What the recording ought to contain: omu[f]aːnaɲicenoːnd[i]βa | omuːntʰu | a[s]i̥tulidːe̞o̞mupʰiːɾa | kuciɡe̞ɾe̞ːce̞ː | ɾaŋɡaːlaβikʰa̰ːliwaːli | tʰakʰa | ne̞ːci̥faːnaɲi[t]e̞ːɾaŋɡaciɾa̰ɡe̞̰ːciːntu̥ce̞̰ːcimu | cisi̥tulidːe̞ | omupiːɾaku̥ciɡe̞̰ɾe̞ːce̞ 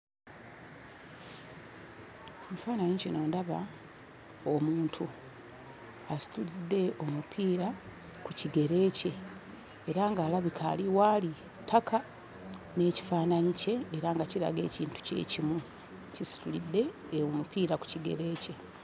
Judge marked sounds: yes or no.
yes, no, yes, no

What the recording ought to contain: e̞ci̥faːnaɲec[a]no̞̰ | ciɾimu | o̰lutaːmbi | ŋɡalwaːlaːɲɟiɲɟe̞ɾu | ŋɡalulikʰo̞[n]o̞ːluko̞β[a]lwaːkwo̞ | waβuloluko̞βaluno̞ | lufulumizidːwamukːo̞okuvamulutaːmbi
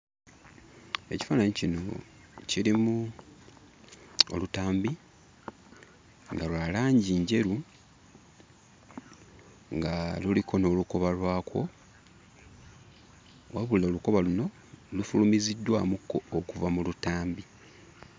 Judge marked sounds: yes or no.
no, yes, yes

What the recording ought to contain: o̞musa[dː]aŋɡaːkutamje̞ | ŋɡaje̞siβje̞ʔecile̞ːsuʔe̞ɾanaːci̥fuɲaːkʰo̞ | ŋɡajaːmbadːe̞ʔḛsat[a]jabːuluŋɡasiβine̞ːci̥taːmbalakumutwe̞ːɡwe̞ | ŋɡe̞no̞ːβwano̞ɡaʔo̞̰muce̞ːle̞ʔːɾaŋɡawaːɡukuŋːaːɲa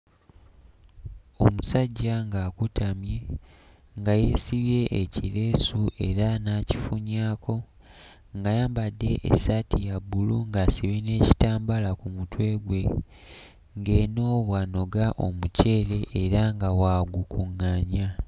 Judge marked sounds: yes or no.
no, no

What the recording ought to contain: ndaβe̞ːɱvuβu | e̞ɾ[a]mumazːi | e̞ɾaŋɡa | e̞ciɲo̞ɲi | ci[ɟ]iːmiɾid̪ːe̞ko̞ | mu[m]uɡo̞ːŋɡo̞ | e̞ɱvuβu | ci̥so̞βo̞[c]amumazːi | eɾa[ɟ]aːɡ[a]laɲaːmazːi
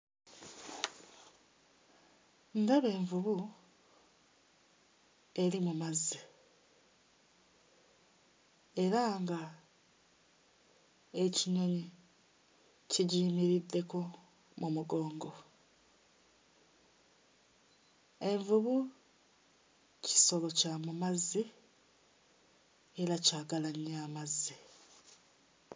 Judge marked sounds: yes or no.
no, yes, yes, yes, no, yes

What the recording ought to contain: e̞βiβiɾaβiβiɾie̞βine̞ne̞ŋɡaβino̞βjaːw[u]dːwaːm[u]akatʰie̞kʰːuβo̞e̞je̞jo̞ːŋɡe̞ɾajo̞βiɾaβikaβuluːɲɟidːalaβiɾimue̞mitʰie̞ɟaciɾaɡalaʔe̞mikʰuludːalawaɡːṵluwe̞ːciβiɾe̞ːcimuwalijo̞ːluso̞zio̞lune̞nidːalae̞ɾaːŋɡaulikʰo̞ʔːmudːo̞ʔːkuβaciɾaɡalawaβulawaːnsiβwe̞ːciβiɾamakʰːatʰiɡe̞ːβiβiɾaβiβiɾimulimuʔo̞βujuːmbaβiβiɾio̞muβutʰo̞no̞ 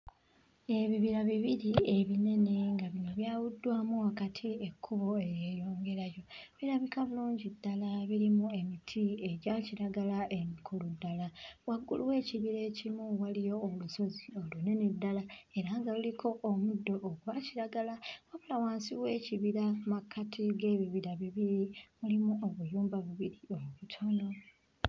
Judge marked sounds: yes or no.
yes, yes

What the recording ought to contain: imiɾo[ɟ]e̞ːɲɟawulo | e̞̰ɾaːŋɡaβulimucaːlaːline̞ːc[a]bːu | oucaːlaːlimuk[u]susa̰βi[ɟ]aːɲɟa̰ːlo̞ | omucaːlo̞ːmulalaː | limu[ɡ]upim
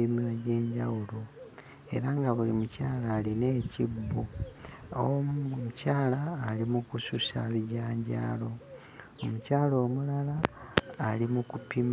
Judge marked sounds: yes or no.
yes, no, yes, yes, no

